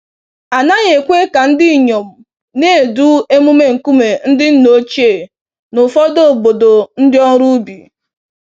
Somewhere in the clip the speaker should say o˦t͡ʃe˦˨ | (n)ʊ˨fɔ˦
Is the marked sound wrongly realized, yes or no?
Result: no